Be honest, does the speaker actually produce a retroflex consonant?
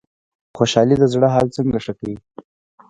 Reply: yes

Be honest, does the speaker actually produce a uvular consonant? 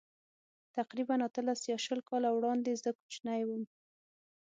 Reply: yes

